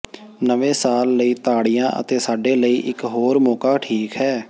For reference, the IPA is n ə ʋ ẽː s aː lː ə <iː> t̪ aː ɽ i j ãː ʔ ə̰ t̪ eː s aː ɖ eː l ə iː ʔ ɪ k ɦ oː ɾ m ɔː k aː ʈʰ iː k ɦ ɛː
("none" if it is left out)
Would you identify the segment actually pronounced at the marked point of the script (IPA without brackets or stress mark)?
iː